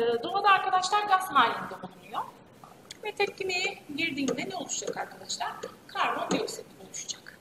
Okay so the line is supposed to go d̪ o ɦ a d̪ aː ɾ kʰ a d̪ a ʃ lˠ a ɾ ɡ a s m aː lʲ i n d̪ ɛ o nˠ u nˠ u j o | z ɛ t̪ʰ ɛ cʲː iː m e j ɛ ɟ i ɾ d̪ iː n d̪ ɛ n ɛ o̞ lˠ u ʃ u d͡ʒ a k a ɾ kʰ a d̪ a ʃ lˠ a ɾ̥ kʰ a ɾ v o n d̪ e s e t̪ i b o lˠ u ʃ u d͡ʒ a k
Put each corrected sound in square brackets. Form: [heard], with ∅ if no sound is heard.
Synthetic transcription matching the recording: d̪ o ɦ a d̪ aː ɾ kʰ a d̪ a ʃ lˠ a ɾ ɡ a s m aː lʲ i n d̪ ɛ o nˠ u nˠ u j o | [v] ɛ t̪ʰ ɛ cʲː [i] m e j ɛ ɟ i ɾ d̪ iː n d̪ ɛ n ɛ o̞ lˠ u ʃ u d͡ʒ a k a ɾ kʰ a d̪ a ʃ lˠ a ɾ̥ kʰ a ɾ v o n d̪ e s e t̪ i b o lˠ u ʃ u d͡ʒ a k